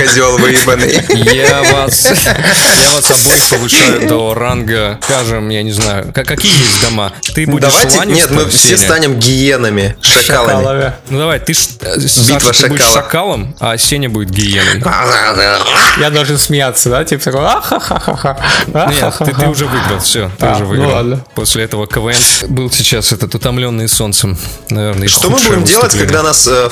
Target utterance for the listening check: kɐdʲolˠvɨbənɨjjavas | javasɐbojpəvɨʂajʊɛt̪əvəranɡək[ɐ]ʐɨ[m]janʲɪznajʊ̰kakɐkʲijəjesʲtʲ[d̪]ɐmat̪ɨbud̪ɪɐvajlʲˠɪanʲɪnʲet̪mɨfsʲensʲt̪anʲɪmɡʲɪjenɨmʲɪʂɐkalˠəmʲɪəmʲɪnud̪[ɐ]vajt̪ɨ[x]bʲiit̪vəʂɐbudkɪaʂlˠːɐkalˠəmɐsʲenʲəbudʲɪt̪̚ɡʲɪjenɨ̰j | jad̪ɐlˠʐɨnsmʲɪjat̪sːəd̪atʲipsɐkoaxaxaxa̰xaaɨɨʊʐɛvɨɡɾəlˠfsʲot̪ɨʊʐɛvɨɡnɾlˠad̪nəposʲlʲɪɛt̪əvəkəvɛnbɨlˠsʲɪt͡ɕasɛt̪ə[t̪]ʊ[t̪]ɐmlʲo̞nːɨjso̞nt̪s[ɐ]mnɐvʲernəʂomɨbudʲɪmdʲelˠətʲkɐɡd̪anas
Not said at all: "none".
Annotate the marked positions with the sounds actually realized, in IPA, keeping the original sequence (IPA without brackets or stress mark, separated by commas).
a, m, d̪, ɐ, ʂ, t̪, t̪, ə